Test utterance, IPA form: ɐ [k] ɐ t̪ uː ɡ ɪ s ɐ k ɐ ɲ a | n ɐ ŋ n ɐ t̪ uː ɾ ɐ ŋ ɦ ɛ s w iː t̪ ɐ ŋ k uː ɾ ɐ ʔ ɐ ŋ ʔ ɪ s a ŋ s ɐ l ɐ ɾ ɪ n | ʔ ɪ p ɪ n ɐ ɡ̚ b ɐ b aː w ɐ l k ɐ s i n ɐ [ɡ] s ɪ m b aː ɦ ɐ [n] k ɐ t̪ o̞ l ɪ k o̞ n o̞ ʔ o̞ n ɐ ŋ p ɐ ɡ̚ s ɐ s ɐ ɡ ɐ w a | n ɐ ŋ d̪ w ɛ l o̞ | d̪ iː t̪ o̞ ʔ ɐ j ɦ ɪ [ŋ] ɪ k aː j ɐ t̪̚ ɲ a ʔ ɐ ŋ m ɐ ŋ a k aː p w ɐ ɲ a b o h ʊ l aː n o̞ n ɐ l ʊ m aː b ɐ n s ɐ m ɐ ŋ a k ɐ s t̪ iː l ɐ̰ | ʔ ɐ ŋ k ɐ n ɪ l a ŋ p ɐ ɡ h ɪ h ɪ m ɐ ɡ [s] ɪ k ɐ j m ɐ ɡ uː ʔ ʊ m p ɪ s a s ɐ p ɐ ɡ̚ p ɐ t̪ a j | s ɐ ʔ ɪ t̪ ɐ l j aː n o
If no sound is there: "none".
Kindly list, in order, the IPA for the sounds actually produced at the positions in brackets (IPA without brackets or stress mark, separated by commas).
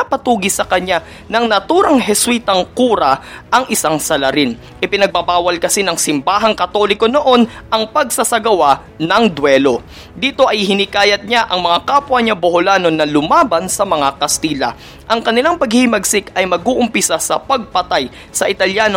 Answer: p, ŋ, ŋ, n, s